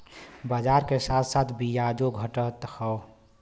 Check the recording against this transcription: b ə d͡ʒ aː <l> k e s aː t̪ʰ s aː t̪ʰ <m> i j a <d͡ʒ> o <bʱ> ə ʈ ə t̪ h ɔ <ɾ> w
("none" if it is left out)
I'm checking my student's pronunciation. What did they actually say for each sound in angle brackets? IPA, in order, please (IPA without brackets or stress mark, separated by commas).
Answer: ɾ, b, d͡ʒ, ɡʱ, none